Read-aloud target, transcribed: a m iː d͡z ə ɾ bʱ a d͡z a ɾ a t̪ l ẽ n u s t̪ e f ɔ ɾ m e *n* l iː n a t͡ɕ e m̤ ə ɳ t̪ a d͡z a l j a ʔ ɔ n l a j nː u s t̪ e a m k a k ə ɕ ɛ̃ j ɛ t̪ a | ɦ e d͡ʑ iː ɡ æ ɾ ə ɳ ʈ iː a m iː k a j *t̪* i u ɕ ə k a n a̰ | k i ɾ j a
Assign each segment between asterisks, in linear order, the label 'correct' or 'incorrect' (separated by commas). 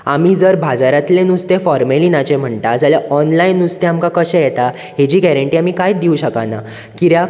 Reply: incorrect, incorrect